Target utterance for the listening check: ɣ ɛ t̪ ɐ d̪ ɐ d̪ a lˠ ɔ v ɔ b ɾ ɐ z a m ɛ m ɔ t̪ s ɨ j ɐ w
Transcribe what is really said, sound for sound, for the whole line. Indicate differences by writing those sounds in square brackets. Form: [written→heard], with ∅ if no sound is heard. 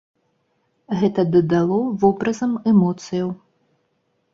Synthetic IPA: ɣ ɛ t̪ ɐ d̪ ɐ d̪ a lˠ ɔ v ɔ b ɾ ɐ z [a→ɐ] m ɛ m ɔ t̪ s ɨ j ɐ w